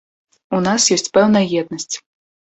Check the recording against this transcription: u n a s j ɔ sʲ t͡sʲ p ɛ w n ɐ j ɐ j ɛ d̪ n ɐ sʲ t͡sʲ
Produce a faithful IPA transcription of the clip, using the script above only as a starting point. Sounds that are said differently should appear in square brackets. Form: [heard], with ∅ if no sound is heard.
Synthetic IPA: u n a s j ɔ sʲ t͡sʲ p ɛ w n ɐ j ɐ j ɛ d̪ n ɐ sʲ t͡sʲ